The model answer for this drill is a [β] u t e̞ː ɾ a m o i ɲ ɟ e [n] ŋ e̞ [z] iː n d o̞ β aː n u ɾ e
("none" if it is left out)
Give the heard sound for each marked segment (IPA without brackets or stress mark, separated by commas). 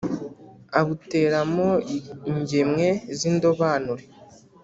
β, m, z